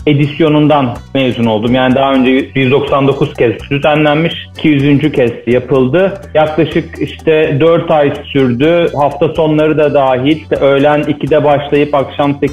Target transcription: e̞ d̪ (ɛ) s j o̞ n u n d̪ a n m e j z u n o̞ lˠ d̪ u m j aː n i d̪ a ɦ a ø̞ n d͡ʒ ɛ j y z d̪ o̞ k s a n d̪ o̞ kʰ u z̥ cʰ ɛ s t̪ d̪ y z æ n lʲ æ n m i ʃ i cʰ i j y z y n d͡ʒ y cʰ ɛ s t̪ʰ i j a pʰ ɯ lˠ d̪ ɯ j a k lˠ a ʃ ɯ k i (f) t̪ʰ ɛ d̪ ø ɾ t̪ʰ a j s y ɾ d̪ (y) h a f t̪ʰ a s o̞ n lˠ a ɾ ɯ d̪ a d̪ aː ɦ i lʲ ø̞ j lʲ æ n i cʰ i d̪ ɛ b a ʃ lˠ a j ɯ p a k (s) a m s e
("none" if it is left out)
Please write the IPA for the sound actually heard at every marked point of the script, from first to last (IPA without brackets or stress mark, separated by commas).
i, ʃ, y, ʃ